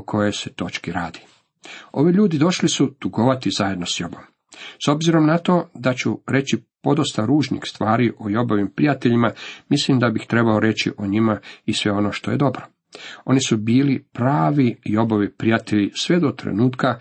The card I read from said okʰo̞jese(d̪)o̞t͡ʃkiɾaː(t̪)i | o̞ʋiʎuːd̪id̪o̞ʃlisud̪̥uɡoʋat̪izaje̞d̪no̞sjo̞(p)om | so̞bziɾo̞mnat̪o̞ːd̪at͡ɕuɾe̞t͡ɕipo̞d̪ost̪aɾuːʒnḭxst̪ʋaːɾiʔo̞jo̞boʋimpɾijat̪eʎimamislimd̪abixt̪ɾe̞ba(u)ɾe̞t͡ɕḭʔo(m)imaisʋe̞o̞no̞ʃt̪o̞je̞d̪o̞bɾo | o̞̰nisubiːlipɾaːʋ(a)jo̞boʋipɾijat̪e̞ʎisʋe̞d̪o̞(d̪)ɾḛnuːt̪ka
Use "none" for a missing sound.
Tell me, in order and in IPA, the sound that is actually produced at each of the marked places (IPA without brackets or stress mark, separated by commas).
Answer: t̪, d̪, b, o, ɲ, i, t̪